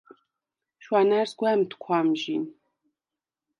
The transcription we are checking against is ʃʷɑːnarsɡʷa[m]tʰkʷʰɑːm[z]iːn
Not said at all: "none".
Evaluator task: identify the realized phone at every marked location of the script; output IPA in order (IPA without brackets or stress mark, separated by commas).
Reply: m, ʒ